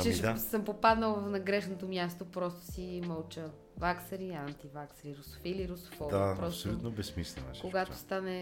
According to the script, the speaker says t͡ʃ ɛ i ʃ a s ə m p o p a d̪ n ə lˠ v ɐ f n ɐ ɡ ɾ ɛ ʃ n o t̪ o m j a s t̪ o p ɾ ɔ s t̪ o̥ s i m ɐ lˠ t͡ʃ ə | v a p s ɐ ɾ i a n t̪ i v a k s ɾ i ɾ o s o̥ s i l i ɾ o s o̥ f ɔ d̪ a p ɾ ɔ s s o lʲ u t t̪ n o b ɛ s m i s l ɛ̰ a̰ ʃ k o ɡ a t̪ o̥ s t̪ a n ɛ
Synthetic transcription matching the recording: t͡ʃ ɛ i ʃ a s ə m p o p a d̪ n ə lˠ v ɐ f n ɐ ɡ ɾ ɛ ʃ n o t̪ o m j a s t̪ o p ɾ ɔ s t̪ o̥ s i m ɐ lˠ t͡ʃ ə | v a k s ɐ ɾ i a n t̪ i v a k s ɾ i ɾ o s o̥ f i l i ɾ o s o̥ f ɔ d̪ a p ɾ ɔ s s o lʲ u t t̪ n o b ɛ s m i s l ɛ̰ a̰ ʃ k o ɡ a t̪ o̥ s t̪ a n ɛ